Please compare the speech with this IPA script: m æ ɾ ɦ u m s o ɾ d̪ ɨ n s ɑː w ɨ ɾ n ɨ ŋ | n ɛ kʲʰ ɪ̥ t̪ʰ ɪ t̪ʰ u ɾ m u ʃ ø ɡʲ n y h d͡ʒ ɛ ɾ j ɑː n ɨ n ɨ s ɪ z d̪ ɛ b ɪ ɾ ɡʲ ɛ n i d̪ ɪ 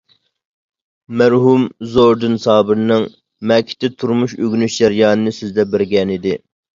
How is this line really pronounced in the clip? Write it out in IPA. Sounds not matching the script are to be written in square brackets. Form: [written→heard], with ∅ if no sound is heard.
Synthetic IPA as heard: m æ ɾ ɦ u m [s→z] o ɾ d̪ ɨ n s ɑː [w→b] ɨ ɾ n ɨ ŋ | [n→m] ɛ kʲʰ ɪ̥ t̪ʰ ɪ t̪ʰ u ɾ m u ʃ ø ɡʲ n y [h→ʃ] d͡ʒ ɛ ɾ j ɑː n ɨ n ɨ s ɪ z d̪ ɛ b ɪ ɾ ɡʲ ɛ n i d̪ ɪ